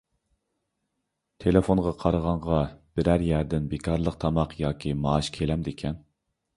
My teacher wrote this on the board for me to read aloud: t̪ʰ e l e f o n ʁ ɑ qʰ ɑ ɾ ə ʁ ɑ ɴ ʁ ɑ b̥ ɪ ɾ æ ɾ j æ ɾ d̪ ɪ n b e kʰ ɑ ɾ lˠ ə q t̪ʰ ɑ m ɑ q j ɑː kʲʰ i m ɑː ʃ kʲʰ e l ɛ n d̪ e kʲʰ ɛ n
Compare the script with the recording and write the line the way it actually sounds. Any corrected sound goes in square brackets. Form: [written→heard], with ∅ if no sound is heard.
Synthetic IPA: t̪ʰ e l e f o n ʁ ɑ qʰ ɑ ɾ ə ʁ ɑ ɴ ʁ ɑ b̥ ɪ ɾ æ ɾ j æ ɾ d̪ ɪ n b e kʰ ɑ ɾ lˠ ə q t̪ʰ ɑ m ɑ q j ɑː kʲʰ i m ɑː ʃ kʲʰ e l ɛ [n→m] d̪ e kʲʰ ɛ n